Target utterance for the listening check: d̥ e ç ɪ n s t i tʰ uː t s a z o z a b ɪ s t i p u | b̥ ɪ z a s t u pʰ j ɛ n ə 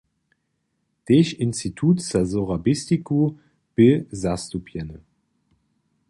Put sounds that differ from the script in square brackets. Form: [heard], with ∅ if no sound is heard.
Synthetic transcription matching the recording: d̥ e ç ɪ n s t i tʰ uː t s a z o [ʁ] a b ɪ s t i [k] u | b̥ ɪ z a s t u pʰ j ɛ n ə